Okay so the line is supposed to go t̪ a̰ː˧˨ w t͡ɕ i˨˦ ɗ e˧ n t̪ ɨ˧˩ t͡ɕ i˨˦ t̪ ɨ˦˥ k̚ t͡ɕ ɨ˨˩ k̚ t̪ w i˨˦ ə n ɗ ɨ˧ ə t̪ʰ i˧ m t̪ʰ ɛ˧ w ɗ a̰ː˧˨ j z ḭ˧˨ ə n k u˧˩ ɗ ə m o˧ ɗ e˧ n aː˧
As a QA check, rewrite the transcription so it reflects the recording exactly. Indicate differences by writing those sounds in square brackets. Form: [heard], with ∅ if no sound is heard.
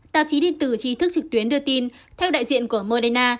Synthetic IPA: t̪ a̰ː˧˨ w t͡ɕ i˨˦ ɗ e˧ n t̪ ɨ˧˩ t͡ɕ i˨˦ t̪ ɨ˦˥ k̚ t͡ɕ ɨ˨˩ k̚ t̪ w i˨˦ ə n ɗ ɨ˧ ə [t̪] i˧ [n] t̪ʰ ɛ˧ w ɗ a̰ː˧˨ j z ḭ˧˨ ə n k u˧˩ [∅] ə m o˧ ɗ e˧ n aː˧